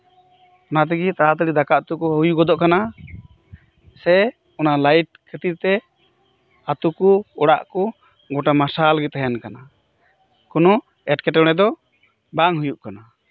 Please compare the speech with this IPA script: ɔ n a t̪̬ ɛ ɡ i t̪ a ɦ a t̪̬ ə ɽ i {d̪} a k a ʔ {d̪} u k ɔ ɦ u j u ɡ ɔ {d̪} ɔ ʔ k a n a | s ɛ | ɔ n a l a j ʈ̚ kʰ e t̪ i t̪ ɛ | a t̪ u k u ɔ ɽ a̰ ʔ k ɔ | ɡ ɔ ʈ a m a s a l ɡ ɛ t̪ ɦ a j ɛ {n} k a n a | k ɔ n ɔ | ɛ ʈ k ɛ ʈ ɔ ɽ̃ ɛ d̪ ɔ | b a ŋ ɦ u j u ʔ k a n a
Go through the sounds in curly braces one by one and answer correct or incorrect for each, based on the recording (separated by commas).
correct, incorrect, correct, correct